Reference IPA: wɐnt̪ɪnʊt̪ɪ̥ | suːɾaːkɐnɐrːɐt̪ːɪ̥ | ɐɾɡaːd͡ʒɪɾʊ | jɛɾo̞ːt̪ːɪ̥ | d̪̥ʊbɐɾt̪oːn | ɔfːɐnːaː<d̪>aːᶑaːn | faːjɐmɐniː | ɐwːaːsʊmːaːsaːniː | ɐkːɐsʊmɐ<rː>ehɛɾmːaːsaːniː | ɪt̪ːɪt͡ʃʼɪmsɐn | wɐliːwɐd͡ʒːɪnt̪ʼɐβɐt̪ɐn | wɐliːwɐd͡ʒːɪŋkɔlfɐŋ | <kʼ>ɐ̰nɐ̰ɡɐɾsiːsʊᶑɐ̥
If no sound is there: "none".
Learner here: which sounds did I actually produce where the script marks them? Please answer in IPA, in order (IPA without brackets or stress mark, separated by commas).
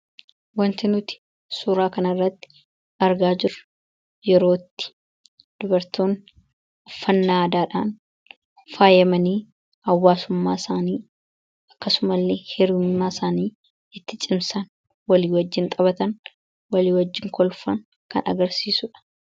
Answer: d̪, lː, k